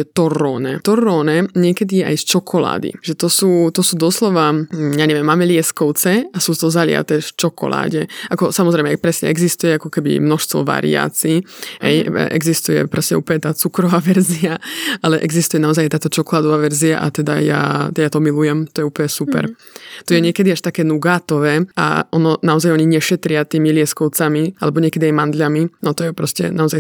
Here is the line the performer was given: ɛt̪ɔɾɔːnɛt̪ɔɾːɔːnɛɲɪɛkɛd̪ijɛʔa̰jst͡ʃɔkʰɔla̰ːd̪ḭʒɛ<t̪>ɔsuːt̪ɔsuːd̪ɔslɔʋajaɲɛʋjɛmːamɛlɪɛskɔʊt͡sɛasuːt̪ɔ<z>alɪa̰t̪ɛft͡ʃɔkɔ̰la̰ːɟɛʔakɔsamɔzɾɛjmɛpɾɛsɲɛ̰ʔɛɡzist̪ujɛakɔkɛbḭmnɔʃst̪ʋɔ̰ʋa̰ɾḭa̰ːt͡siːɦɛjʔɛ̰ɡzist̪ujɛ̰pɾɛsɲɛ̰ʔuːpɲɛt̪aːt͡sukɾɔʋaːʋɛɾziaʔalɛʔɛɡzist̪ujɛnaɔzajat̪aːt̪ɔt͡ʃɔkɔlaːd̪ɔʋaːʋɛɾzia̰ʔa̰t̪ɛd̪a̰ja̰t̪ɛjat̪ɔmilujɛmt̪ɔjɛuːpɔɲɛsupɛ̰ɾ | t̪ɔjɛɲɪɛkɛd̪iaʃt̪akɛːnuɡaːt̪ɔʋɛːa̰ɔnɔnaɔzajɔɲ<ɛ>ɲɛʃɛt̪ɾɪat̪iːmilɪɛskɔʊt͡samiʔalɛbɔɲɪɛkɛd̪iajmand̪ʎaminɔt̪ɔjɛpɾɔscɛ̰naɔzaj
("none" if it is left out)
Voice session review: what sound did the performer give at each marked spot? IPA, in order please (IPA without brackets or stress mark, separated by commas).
t̪, z, i